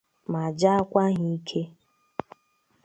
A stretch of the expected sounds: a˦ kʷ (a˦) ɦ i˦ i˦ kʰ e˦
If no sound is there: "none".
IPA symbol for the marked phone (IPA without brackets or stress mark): a˦